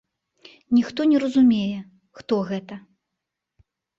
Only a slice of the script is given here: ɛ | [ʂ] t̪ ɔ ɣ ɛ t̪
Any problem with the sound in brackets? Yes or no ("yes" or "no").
yes